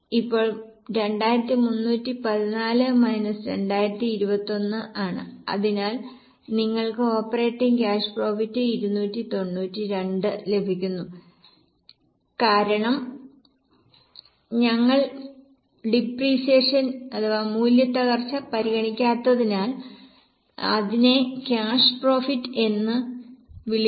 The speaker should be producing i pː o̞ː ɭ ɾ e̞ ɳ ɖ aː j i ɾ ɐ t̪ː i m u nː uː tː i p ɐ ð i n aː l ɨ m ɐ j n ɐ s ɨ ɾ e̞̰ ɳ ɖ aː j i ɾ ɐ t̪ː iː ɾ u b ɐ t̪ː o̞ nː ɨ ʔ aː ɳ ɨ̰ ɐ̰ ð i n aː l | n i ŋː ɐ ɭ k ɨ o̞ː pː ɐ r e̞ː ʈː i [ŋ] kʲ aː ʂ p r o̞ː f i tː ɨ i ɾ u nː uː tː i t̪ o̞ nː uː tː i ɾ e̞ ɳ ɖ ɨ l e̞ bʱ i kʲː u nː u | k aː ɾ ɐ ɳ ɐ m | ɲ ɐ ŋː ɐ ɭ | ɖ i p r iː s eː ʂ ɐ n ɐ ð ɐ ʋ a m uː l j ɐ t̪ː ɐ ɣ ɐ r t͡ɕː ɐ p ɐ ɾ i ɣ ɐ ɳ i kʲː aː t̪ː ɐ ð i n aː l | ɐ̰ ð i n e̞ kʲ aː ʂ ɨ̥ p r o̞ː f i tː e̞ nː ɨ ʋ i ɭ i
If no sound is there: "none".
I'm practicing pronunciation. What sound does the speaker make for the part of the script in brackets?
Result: ŋ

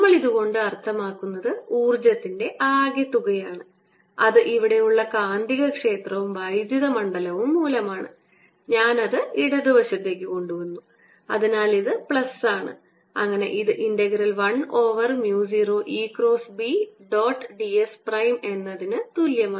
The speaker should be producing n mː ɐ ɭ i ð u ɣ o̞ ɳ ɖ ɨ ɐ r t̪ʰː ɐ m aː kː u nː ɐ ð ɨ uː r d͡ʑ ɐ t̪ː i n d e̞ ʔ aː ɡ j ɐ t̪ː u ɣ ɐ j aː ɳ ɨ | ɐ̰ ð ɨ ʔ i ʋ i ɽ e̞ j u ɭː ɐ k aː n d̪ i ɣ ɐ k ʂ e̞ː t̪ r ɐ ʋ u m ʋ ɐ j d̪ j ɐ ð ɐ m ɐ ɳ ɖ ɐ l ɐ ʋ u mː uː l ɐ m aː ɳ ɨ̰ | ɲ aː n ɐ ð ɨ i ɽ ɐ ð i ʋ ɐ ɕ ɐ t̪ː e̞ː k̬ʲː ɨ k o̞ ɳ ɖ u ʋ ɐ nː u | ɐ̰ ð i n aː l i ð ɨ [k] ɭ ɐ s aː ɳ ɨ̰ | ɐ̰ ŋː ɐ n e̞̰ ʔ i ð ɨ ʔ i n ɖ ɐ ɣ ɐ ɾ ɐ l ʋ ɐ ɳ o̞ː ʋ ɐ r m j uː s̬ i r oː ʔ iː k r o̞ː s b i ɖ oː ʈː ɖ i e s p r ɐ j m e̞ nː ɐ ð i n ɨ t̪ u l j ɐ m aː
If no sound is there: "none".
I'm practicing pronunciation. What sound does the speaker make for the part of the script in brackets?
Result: p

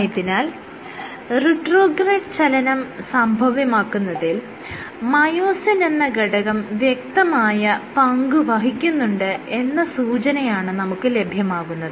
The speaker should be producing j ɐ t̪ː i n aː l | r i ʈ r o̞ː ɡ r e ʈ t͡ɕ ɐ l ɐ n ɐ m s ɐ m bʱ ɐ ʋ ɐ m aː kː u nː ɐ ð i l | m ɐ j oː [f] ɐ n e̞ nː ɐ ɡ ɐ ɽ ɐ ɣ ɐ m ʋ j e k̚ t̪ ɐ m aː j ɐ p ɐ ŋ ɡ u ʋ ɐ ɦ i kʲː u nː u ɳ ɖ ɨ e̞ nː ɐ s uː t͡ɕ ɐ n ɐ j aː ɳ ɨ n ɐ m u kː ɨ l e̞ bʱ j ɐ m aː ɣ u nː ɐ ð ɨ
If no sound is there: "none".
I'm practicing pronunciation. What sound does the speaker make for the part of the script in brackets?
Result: s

